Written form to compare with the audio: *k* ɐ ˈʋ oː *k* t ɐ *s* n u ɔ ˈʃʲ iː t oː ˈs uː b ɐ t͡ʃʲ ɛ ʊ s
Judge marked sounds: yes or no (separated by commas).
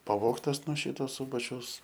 no, yes, yes